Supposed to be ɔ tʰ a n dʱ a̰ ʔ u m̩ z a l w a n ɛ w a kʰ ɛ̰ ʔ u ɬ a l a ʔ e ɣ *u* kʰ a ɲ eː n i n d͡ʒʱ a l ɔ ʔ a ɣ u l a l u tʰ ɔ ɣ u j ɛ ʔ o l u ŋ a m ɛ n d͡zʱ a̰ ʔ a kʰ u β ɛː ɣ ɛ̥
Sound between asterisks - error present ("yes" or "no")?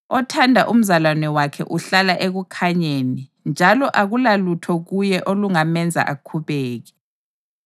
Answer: no